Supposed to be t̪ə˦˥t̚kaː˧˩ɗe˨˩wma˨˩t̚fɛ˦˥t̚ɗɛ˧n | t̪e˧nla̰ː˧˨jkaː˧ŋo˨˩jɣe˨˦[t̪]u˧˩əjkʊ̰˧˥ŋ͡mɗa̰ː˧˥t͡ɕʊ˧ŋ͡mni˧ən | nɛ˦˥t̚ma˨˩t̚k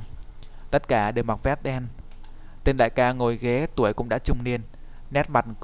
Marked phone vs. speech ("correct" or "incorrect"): correct